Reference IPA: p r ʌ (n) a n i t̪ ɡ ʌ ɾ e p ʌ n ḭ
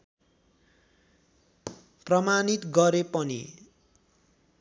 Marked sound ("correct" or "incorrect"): incorrect